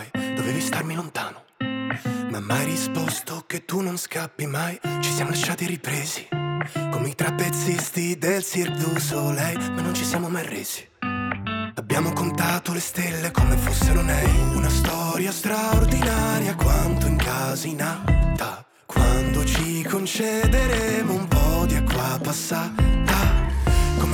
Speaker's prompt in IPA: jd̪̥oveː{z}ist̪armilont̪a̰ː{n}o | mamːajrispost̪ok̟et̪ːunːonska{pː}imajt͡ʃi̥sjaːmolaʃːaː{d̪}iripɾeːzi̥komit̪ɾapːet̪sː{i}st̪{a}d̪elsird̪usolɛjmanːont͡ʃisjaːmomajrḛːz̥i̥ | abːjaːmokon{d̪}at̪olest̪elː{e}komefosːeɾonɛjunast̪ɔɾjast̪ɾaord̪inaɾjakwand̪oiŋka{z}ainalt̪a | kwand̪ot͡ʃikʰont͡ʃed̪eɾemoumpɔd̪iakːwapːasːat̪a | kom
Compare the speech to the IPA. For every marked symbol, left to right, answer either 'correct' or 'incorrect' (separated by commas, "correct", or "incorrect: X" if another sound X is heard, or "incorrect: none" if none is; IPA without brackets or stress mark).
incorrect: v, correct, correct, incorrect: t̪, correct, incorrect: i, incorrect: t̪, correct, correct